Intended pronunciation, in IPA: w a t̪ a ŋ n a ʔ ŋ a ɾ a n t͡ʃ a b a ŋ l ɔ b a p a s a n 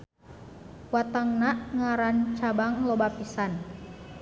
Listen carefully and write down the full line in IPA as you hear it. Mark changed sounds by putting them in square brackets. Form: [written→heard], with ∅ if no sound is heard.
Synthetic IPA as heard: w a t̪ a ŋ n a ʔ ŋ a ɾ a n t͡ʃ a b a ŋ l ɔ b a p [a→i] s a n